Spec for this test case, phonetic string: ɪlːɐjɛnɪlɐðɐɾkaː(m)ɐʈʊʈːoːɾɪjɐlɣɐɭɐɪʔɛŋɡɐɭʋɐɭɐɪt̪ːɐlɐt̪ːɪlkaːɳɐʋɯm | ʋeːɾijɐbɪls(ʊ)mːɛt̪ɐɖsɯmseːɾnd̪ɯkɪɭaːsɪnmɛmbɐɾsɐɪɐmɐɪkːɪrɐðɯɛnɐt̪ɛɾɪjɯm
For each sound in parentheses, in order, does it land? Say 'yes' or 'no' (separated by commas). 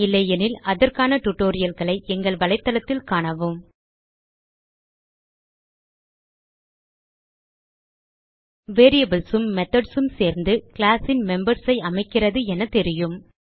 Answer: no, no